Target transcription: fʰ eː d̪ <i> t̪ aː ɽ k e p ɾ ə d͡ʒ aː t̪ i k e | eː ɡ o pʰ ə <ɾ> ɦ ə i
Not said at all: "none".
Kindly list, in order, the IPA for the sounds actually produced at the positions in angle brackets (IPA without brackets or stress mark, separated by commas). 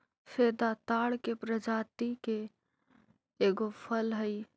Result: a, l